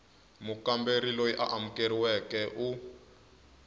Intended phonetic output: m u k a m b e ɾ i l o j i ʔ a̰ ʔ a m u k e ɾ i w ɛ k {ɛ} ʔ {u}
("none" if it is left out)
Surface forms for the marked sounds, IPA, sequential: ɛ, u

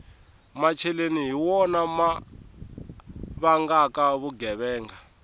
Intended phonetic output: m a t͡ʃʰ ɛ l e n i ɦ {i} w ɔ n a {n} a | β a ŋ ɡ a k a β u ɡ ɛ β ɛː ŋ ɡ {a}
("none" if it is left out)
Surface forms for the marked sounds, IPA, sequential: i, m, a

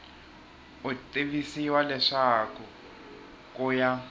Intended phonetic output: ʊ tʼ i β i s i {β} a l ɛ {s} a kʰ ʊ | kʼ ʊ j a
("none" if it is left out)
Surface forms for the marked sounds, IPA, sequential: w, ʂ

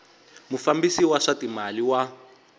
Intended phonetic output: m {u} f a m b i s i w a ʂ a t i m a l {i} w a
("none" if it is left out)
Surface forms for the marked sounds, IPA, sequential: u, i

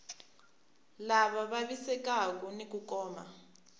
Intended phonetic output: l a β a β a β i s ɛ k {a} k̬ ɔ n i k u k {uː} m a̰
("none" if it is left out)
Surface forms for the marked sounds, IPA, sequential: a, ɔː

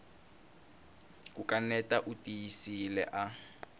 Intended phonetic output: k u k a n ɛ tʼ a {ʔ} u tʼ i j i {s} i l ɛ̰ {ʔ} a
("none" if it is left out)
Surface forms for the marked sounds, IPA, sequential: ʔ, s, ʔ

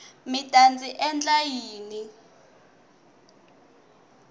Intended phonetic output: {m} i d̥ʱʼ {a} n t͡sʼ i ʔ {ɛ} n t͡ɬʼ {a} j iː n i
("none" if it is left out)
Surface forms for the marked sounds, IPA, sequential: m, a, ɛ, a

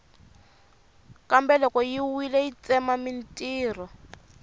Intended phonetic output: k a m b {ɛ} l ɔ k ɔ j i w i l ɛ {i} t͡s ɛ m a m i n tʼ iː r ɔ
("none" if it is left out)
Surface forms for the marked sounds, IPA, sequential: ɛ, i

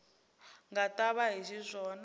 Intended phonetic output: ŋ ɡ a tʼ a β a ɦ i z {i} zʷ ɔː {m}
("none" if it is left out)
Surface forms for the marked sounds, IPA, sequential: i, n

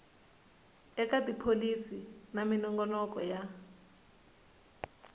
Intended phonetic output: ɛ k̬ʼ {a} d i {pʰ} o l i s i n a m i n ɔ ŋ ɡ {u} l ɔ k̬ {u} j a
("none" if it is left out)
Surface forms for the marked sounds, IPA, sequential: a, pʰ, ɔ, ɔ

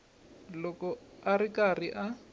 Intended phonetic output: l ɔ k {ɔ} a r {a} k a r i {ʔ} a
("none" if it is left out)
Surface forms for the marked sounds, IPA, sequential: ɔ, i, ʔ

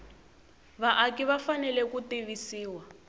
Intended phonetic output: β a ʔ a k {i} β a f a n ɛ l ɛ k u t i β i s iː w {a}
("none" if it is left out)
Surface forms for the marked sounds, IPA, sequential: i, a

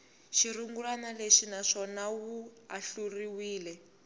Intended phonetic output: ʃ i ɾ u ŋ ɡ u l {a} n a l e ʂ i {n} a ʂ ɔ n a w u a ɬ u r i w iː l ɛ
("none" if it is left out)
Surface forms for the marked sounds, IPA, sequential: a, n

